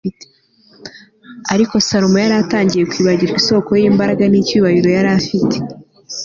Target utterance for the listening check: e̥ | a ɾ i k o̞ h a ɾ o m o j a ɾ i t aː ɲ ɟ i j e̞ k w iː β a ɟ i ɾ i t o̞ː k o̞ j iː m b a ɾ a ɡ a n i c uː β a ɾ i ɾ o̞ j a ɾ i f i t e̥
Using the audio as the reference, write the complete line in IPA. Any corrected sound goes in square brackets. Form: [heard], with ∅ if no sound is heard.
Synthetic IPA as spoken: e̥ | a ɾ i k o̞ [s] a ɾ o m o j a ɾ [a] t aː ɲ ɟ i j e̞ k w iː β a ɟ i ɾ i [s] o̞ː k o̞ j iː m b a ɾ a ɡ a n i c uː β a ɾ i ɾ o̞ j a ɾ [a] f i t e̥